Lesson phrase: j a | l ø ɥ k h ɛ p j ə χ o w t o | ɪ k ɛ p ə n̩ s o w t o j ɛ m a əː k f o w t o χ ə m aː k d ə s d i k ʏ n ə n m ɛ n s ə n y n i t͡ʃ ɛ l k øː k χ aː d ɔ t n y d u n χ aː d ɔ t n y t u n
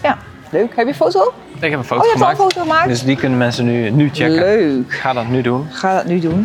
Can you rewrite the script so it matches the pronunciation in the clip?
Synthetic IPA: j a | l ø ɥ k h ɛ p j ə f o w t o | ɪ k ɛ p ə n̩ f o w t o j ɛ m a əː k f o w t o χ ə m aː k d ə s d i k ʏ n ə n m ɛ n s ə n y n y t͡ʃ ɛ l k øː k χ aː d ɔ t n y d u n χ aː d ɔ t n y d u n